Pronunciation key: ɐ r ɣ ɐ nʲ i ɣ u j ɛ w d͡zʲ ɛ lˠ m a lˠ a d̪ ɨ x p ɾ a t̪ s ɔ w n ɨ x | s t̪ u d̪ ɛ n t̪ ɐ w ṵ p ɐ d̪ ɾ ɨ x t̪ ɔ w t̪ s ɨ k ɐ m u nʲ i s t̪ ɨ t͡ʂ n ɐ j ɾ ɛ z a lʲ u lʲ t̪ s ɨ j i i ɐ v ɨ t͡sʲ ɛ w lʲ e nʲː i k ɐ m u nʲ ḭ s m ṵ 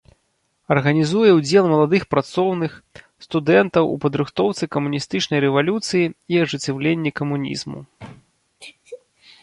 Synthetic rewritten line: ɐ r ɣ ɐ nʲ i z u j ɛ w d͡zʲ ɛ lˠ m ɐ lˠ a d̪ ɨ x p ɾ a t̪ s ɔ w n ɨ x | s t̪ u d̪ ɛ n t̪ ɐ w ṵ p ɐ d̪ ɾ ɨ x t̪ ɔ w t̪ s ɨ k ɐ m u nʲ i s t̪ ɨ t͡ʂ n ɐ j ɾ ɛ v a lʲ u t̪ s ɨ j i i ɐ ʐ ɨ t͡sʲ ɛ w lʲ e nʲː i k ɐ m u nʲ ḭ z m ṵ